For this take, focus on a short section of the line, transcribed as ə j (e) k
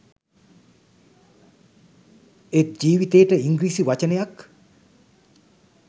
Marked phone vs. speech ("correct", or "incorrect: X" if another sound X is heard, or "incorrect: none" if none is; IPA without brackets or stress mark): incorrect: a